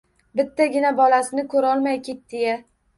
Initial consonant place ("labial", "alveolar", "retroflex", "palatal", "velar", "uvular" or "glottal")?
labial